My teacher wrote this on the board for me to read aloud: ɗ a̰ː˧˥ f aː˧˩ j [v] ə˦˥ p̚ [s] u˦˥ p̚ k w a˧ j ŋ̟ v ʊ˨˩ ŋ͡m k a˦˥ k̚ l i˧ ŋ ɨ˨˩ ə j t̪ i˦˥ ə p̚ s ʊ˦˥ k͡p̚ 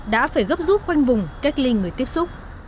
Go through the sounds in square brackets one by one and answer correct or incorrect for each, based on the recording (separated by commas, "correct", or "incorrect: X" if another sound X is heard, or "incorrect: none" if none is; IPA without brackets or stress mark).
incorrect: ɣ, incorrect: z